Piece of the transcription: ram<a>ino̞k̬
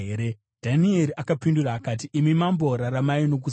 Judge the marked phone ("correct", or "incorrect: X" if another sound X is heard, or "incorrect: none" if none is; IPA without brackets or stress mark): correct